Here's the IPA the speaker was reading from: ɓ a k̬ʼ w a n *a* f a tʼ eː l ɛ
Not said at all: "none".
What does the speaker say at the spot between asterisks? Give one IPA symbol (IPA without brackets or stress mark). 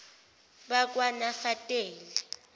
a